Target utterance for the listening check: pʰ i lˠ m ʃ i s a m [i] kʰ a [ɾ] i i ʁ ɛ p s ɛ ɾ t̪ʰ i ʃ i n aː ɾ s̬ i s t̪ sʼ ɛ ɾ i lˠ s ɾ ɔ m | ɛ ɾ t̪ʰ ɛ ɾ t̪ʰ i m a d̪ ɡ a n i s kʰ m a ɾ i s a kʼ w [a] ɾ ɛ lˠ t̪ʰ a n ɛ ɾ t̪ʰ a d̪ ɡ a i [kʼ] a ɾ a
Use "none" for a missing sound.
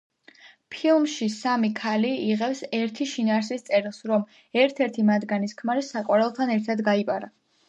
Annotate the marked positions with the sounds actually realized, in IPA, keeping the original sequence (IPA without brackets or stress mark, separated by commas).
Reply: i, l, a, pʼ